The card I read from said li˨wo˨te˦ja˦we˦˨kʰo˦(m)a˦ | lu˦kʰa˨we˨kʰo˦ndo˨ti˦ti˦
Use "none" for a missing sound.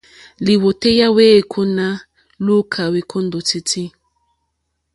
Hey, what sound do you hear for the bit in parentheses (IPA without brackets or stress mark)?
n